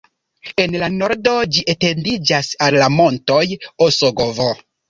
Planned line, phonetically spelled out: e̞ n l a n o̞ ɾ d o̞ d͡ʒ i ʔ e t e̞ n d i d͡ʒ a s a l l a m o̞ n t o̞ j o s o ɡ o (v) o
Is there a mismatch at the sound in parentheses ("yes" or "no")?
no